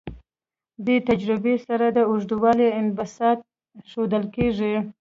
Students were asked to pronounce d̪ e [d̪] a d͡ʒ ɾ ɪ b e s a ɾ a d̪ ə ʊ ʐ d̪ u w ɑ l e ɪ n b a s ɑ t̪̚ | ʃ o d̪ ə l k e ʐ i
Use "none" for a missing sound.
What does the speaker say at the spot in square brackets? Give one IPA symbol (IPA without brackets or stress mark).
t̪